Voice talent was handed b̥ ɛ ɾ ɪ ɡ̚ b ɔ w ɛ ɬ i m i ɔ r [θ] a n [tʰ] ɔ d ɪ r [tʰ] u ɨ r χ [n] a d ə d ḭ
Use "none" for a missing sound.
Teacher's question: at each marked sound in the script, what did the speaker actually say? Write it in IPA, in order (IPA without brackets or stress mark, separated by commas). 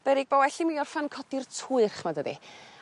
f, kʰ, tʰ, m